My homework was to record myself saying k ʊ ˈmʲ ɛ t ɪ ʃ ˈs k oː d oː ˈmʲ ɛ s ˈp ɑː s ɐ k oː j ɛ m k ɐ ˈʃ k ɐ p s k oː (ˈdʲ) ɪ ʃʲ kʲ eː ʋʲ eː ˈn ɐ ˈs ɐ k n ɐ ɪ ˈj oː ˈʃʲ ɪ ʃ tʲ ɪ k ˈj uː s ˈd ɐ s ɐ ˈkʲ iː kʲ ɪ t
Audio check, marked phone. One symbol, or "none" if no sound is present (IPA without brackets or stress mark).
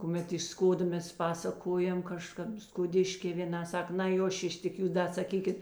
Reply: dʲ